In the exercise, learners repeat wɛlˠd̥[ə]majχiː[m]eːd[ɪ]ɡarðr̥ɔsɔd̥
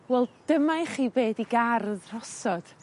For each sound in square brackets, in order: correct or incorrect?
correct, incorrect, incorrect

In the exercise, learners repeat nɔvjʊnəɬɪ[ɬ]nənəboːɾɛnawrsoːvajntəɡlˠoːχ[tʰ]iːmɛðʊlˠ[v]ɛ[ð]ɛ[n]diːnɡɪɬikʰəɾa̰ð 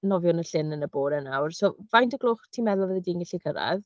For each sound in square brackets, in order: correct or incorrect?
incorrect, correct, correct, correct, incorrect

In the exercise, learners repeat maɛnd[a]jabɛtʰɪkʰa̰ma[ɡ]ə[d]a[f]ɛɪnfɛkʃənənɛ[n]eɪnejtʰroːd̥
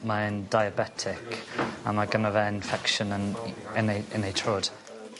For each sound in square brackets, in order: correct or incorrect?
correct, correct, incorrect, incorrect, correct

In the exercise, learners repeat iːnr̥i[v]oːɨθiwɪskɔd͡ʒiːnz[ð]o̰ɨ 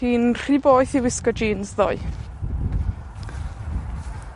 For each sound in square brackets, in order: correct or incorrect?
incorrect, correct

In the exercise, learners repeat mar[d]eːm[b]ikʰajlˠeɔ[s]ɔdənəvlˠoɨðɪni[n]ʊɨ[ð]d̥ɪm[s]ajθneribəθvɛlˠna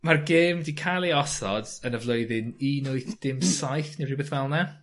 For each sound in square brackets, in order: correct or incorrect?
incorrect, incorrect, correct, correct, incorrect, correct

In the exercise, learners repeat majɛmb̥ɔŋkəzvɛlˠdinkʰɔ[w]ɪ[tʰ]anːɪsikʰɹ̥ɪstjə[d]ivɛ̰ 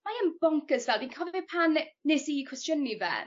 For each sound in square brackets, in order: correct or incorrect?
incorrect, incorrect, incorrect

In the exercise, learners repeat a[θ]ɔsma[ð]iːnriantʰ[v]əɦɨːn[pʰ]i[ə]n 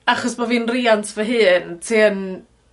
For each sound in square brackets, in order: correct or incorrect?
incorrect, incorrect, correct, incorrect, correct

